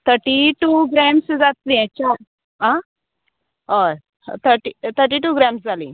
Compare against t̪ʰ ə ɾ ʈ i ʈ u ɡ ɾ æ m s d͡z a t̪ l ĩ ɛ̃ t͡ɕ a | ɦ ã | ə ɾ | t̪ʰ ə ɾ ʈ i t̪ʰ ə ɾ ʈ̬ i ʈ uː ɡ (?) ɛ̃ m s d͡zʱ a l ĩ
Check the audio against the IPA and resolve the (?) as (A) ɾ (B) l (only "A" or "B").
A